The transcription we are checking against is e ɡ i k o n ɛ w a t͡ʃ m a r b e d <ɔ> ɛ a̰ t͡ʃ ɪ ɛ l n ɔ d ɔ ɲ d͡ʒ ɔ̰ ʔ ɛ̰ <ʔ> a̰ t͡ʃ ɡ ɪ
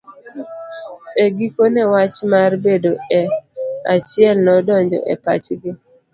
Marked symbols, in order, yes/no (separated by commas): no, no